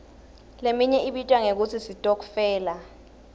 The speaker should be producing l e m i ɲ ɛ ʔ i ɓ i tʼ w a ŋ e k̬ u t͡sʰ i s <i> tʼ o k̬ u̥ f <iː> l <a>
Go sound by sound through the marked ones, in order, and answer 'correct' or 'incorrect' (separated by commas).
correct, incorrect, correct